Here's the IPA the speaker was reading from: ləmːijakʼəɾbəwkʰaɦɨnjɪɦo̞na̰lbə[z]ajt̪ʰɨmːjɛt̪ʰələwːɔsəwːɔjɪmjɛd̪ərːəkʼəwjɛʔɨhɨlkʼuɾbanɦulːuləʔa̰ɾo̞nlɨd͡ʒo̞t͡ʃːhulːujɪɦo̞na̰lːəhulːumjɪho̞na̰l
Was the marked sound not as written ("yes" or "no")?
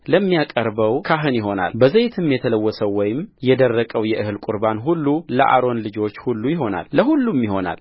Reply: no